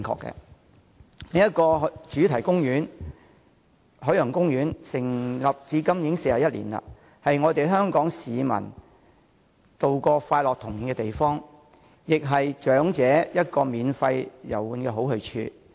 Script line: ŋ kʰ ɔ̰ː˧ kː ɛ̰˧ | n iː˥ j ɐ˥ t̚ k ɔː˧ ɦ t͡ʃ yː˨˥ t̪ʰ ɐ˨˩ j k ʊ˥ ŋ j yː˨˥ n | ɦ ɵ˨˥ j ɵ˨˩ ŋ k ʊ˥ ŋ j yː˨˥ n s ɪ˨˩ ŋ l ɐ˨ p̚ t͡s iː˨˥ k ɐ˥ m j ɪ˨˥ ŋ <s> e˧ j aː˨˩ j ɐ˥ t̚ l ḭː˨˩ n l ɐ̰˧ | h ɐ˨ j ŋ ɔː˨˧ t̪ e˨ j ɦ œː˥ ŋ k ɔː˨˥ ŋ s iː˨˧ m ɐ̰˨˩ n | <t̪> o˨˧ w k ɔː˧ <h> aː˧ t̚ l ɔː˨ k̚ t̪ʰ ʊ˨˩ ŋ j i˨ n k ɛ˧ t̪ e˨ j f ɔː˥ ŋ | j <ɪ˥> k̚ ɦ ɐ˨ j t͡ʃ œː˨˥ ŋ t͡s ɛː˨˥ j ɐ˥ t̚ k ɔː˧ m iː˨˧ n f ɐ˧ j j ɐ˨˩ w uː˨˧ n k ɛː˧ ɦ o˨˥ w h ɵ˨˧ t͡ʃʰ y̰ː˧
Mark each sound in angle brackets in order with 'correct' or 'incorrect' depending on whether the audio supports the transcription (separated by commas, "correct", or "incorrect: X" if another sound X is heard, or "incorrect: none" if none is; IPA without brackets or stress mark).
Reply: correct, correct, incorrect: f, incorrect: ɪ˨